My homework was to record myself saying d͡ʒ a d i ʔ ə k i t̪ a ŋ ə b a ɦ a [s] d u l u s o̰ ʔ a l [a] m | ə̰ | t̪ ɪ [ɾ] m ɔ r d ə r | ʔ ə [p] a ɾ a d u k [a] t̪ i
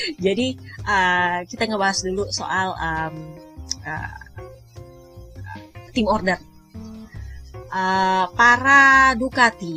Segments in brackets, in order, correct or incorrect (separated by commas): correct, incorrect, incorrect, correct, correct